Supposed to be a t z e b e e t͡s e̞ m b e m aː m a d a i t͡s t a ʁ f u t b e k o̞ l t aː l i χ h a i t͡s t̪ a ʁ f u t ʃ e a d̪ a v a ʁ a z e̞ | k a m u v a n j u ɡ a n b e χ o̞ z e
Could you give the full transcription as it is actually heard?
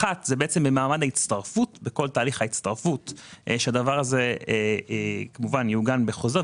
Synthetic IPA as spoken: a t z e b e e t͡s e̞ m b e m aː m a d a i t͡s t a ʁ f u t b e k o̞ l t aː l i χ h a i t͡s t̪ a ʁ f u t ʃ e a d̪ a v a ʁ a z e̞ | k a m u v a n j u ɡ a n b e χ o̞ z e